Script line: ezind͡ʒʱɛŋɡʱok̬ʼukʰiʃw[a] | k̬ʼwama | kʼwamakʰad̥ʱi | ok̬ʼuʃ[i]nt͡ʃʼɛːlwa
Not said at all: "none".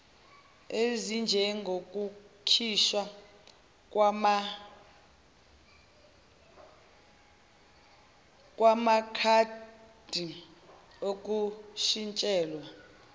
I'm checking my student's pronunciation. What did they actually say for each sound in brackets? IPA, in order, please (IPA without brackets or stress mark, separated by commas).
a, i